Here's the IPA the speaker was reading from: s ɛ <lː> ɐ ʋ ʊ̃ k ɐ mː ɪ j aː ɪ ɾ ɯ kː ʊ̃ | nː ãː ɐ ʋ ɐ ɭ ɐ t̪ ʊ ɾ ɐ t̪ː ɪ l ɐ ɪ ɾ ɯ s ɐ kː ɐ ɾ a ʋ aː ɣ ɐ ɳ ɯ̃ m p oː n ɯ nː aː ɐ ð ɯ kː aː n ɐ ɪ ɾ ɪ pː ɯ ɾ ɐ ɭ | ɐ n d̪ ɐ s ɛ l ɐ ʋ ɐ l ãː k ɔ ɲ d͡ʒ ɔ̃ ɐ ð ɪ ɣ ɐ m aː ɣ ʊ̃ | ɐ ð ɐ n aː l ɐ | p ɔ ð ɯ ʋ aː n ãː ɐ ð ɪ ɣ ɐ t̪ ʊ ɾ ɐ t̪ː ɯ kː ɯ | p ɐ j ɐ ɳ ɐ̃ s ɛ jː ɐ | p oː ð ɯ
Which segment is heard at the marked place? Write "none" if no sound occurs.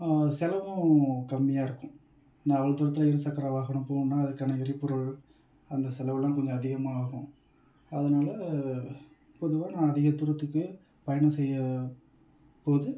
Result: l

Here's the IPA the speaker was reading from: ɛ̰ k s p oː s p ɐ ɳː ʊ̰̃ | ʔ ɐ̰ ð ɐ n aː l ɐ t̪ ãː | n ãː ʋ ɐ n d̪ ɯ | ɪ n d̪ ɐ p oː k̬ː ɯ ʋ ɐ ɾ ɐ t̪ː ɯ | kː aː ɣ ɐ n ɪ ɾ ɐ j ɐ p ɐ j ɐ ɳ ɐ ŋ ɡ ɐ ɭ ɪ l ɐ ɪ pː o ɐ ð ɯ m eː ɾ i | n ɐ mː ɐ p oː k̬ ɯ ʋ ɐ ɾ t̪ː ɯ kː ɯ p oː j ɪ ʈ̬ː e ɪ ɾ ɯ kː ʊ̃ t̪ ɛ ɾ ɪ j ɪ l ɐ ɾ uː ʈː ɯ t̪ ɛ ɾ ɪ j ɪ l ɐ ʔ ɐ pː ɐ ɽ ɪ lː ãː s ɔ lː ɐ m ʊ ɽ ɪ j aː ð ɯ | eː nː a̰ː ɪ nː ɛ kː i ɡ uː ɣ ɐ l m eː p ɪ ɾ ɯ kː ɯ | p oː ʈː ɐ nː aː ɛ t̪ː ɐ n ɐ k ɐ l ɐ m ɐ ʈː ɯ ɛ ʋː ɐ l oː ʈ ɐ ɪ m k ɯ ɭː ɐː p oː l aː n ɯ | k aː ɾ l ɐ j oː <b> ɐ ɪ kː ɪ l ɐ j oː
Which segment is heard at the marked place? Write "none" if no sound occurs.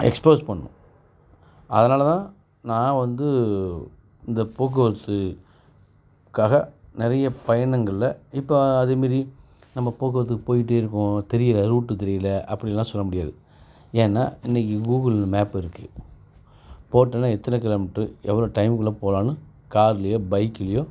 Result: b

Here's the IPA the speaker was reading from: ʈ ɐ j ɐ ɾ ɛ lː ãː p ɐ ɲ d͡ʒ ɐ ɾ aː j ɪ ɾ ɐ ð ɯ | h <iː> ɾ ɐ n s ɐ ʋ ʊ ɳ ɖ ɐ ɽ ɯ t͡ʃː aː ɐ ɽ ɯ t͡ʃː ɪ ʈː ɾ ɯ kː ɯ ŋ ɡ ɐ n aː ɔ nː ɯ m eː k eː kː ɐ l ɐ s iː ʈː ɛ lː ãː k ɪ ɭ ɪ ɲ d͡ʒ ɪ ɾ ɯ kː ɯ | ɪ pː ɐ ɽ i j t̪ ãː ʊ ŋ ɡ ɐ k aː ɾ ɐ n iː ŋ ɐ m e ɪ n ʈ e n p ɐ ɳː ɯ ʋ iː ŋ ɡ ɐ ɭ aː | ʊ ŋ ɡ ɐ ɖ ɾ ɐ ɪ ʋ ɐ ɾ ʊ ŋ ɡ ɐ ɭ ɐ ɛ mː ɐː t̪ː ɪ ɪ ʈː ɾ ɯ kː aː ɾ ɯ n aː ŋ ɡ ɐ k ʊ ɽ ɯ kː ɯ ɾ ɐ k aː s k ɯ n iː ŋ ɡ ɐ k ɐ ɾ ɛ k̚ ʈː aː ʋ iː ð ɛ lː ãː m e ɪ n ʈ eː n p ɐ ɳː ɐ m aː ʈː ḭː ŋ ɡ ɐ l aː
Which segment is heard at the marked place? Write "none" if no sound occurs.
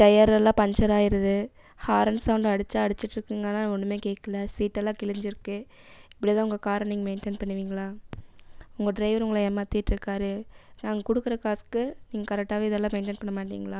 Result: aː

